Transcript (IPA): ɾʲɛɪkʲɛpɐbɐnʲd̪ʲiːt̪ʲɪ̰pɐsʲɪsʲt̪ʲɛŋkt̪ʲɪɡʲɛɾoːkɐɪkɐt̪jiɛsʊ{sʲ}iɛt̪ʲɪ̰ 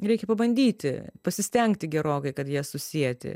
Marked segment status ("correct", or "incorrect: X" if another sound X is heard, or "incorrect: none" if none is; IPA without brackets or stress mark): correct